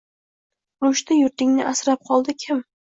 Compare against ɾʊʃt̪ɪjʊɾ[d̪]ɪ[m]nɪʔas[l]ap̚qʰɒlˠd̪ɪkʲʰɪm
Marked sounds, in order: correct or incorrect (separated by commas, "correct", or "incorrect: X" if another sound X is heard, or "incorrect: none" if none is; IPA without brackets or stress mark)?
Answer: incorrect: t̪, incorrect: ŋ, incorrect: ɾ